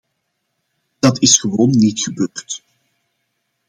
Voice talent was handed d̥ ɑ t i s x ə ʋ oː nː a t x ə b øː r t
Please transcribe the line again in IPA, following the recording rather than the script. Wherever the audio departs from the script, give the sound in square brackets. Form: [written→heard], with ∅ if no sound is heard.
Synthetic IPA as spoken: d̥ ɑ t [i→ɪ] s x ə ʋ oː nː [a→i] t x ə b øː r t